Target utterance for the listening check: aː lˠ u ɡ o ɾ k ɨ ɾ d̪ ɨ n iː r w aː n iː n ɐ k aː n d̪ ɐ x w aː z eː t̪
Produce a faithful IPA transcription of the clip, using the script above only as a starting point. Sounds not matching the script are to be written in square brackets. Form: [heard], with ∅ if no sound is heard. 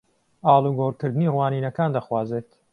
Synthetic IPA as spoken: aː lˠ u ɡ o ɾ k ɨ ɾ d̪ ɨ n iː r w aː n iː n ɐ k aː n d̪ ɐ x w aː z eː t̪